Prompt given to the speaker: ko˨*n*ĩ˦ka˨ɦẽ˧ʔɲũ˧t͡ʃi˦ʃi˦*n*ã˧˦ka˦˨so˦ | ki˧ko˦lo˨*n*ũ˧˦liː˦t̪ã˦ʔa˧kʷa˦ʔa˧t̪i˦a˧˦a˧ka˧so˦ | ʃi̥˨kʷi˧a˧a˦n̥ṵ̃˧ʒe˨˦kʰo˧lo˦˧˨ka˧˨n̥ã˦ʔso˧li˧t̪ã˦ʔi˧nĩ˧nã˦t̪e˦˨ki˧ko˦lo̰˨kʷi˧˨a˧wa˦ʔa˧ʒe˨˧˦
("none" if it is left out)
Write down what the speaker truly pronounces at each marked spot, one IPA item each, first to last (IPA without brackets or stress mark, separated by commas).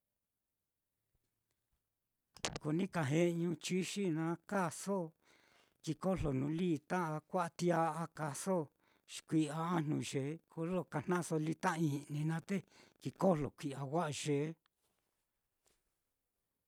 n, n, n